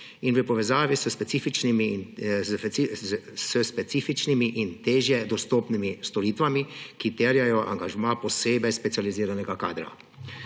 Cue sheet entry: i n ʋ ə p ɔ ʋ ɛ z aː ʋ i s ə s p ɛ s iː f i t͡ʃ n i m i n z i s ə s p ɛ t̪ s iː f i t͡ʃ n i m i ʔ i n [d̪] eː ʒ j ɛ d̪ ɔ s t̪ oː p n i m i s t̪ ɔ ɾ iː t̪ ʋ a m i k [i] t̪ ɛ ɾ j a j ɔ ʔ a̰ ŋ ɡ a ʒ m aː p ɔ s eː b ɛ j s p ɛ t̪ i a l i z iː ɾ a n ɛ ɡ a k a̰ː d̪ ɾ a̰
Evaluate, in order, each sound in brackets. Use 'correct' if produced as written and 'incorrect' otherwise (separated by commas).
incorrect, correct